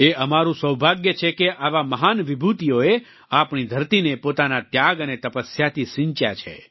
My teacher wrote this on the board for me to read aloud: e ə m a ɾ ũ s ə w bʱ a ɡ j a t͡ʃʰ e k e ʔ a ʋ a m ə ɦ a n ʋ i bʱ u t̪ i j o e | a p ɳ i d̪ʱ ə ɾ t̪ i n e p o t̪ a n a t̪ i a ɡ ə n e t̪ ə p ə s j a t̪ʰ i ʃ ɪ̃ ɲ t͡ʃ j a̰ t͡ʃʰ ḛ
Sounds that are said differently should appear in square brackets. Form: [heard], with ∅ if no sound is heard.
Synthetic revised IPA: e ə m a ɾ ũ s ə w bʱ a ɡ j [ə] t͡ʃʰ e k e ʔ a ʋ a m ə ɦ a n ʋ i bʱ u t̪ i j o e | a p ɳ i d̪ʱ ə ɾ t̪ i n e p o t̪ a n a t̪ [j] a ɡ ə n e t̪ ə p ə s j a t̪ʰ i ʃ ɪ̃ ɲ t͡ʃ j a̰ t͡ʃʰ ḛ